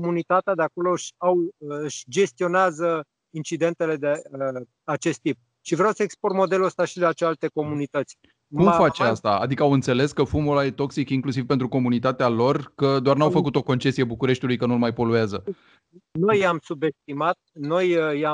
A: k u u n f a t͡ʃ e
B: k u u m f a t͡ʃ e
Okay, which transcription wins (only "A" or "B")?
B